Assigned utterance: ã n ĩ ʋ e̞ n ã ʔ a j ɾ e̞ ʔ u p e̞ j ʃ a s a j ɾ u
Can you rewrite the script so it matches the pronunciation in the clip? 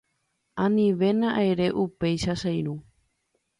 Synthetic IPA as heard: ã n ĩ ʋ e̞ n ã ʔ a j ɾ e̞ ʔ u p e̞ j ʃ a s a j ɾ u